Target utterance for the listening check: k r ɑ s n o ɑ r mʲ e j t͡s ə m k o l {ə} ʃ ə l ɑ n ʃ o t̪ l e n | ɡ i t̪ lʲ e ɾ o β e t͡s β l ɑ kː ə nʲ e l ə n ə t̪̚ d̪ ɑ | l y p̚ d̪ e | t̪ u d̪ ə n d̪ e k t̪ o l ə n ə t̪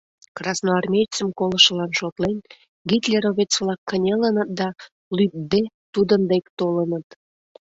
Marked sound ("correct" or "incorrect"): correct